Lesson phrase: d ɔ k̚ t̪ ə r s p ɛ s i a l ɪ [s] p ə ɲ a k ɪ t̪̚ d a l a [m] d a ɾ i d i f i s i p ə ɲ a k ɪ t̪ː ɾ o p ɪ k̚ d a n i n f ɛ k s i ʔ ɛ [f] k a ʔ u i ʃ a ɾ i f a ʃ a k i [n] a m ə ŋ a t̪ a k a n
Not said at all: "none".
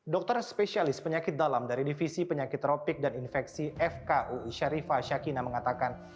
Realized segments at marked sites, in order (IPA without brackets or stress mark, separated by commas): s, m, f, n